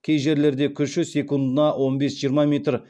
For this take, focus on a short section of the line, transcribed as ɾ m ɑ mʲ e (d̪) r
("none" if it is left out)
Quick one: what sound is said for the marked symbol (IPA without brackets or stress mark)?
t̪